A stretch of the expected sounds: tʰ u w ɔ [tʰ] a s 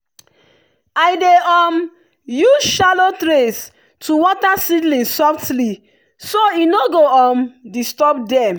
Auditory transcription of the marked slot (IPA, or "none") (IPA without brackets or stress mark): t